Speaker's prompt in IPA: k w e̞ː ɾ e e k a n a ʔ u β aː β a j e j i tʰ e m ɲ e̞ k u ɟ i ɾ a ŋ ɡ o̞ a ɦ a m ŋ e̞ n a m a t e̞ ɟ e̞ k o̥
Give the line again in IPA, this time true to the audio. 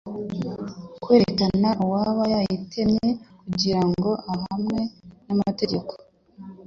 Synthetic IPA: k w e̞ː ɾ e e k a n a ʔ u w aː β a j a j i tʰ e m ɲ e̞ k u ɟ i ɾ a ŋ ɡ o̞ a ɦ a m ŋ e̞ n a m a t e̞ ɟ e̞ k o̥

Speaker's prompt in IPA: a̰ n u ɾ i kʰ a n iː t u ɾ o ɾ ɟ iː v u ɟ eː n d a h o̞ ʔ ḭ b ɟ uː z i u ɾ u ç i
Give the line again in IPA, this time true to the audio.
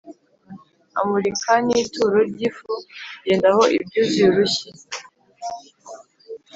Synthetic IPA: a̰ m u ɾ i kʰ a n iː t u ɾ o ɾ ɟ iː f u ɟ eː n d a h o̞ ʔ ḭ b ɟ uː z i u ɾ u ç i

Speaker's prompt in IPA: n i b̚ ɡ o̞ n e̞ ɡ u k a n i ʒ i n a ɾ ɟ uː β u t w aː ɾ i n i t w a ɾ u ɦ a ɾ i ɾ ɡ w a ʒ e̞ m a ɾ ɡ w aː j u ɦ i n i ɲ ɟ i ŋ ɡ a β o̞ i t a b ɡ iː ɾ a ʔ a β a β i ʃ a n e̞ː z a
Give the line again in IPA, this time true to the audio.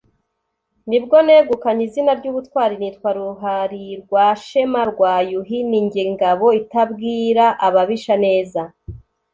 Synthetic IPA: n i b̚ ɡ o̞ n e̞ ɡ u k a ɲ i z i n a ɾ ɟ uː β u t w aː ɾ i n i t w a ɾ u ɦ a ɾ i ɾ ɡ w a ʃ e̞ m a ɾ ɡ w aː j u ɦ i n i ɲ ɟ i ŋ ɡ a β o̞ i t a b ɡ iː ɾ a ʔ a β a β i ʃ a n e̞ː z a

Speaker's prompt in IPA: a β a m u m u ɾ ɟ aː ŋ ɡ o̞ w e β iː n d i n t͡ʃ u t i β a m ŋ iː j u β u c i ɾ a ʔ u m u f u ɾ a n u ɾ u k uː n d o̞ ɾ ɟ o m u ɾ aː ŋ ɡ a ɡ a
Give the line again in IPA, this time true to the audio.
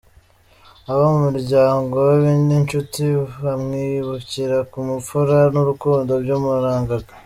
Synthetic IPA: a β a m u m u ɾ ɟ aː ŋ ɡ o̞ w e β iː n d i n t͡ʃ u t i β a m ŋ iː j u β u c i ɾ a k u m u f u ɾ a n u ɾ u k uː n d o̞ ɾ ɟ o m u ɾ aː ŋ ɡ a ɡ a

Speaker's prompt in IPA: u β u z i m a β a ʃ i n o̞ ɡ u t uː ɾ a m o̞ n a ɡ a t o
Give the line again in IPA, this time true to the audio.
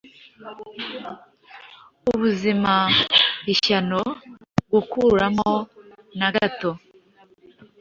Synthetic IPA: u β u z i m a β i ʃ a n o̞ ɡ u k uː ɾ a m o̞ n a ɡ a t o

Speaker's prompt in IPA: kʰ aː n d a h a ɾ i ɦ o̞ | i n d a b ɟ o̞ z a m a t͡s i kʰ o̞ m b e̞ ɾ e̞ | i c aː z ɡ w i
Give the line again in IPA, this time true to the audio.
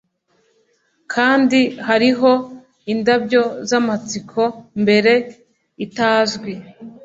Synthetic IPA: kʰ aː n d i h a ɾ i ɦ o̞ | i n d a b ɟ o̞ z a m a t͡s i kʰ o̞ m b e̞ ɾ e̞ | i t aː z ɡ w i

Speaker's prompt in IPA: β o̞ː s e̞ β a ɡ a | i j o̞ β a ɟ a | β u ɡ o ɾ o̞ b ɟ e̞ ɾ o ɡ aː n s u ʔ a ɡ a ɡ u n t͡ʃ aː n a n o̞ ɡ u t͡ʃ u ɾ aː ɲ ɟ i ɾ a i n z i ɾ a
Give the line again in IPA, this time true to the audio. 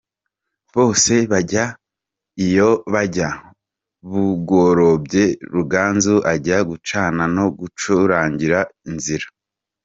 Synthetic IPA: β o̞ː s e̞ β a ɟ a | i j o̞ β a ɟ a | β u ɡ o ɾ o̞ b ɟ e̞ ɾ u ɡ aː n z u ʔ a ɟ a ɡ u t͡ʃ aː n a n o̞ ɡ u t͡ʃ u ɾ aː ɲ ɟ i ɾ a i n z i ɾ a

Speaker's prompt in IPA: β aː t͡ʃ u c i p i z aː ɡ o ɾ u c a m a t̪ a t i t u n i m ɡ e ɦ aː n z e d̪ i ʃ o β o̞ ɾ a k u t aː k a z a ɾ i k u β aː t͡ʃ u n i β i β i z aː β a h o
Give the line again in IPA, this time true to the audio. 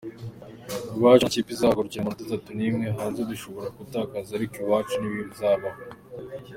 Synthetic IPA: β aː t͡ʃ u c i p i z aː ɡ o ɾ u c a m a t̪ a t a t u n i m ŋ e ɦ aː n z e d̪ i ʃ o β o̞ ɾ a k u t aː k a z a ɾ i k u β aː t͡ʃ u n i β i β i z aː β a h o

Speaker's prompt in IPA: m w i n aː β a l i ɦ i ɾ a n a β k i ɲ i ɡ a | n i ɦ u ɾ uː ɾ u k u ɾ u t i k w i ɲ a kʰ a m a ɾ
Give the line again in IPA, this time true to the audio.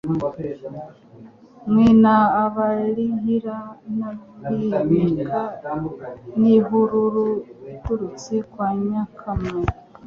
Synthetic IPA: m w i n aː β a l i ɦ i ɾ a n a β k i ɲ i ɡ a | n i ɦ u ɾ u ɾ u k u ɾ u t͡s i k w a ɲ a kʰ a m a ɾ

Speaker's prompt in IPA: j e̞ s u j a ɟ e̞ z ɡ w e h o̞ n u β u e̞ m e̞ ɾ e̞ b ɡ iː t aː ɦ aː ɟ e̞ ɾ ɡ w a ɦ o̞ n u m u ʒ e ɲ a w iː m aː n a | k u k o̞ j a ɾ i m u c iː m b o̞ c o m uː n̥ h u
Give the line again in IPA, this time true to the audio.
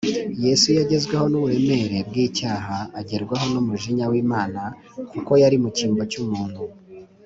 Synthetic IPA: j e̞ s u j a ɟ e̞ z ɡ w e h o̞ n u β u e̞ m e̞ ɾ e̞ b ɡ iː c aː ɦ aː ɟ e̞ ɾ ɡ w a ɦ o̞ n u m u ʒ i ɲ a w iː m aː n a | k u k o̞ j a ɾ i m u c iː m b o̞ c u m uː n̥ h u

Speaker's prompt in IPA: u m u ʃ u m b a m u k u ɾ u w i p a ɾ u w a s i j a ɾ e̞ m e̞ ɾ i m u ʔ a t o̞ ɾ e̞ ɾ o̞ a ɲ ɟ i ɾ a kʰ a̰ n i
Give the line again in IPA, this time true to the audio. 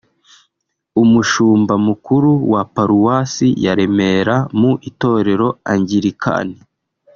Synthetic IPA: u m u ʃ uː m b a m u k u ɾ u w a p a ɾ u w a s i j a ɾ e̞ m e̞ ɾ a m u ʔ i t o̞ ɾ e̞ ɾ o̞ a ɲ ɟ i ɾ i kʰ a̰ n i

